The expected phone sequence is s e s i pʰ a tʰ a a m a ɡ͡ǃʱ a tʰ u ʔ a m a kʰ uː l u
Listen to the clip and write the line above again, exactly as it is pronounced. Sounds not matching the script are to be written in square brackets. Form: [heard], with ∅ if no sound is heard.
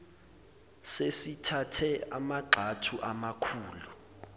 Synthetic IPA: s e s i [tʰ] a tʰ [ɛ] a m a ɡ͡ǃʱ a tʰ u ʔ a m a kʰ uː l u